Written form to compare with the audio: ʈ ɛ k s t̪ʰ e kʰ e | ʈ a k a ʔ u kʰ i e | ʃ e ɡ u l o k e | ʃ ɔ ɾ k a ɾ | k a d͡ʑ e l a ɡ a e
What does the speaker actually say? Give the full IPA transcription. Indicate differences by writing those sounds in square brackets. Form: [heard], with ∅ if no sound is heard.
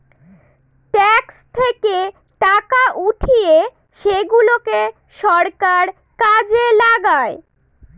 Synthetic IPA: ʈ ɛ k s t̪ʰ e [k] e | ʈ a k a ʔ u [ʈʰ] i e | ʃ e ɡ u l o k e | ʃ ɔ ɾ k a ɾ | k a d͡ʑ e l a ɡ a e